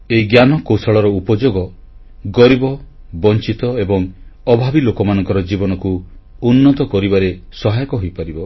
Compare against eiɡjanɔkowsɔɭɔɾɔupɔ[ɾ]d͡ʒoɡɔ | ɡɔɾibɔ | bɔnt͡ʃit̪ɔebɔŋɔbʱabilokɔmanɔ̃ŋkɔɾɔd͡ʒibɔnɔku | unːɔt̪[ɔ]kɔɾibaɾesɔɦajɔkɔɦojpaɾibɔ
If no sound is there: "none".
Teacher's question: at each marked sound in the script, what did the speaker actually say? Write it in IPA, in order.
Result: none, ɔ

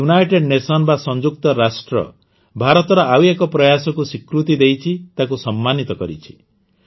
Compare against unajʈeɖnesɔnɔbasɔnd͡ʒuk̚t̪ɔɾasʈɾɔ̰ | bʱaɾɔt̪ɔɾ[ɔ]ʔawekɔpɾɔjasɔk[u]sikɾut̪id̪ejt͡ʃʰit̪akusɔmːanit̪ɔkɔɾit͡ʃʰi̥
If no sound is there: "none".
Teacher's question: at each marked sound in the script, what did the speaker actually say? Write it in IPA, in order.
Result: ɔ, u

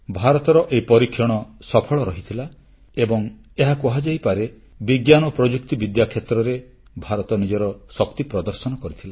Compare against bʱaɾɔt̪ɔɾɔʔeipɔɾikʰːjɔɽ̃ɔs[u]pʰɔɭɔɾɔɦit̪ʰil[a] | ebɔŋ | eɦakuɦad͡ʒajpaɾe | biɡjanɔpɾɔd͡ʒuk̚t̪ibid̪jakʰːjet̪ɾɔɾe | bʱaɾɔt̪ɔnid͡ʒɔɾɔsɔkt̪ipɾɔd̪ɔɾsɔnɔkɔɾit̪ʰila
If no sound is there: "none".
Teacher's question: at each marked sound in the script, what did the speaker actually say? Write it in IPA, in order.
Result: ɔ, a

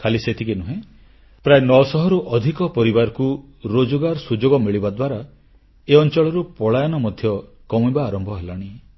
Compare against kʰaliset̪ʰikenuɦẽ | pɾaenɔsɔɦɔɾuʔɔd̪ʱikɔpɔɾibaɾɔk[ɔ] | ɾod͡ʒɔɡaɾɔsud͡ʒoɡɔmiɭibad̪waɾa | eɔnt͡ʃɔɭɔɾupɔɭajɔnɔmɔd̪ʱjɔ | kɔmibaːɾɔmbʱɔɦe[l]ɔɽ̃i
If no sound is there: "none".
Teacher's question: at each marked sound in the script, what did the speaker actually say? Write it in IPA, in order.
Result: u, l

